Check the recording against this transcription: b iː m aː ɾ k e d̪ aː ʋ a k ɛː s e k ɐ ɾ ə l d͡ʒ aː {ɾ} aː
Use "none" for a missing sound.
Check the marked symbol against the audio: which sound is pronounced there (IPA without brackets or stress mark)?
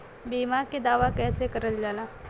l